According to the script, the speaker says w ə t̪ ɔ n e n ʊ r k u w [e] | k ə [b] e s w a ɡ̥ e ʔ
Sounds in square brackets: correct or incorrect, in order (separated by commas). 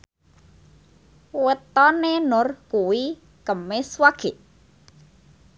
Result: incorrect, incorrect